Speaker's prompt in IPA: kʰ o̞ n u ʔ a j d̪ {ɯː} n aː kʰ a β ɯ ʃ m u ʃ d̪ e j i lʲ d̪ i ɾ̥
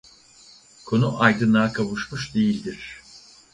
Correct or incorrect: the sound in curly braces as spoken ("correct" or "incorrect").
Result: incorrect